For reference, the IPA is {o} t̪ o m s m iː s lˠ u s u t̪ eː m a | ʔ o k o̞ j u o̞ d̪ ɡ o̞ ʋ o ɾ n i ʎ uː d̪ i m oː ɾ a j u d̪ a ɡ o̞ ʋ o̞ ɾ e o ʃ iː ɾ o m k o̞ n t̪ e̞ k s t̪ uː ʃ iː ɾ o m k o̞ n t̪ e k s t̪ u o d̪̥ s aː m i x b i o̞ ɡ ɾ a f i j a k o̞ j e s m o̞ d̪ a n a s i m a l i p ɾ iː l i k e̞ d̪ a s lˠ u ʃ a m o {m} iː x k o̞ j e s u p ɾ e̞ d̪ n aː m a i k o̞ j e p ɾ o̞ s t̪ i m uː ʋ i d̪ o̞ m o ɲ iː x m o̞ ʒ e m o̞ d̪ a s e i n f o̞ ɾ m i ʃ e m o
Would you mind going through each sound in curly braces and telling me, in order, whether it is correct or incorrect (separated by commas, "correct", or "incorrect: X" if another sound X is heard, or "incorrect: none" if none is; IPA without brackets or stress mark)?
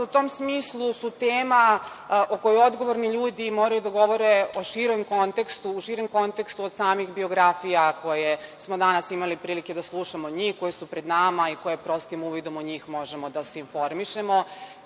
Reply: incorrect: u, incorrect: ɲ